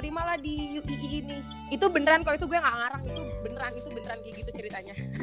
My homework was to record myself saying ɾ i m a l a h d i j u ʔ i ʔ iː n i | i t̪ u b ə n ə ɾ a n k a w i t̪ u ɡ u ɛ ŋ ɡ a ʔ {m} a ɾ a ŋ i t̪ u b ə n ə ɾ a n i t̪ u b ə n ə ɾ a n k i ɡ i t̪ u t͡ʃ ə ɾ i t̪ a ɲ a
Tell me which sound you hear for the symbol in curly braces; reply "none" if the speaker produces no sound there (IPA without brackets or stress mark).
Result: ŋ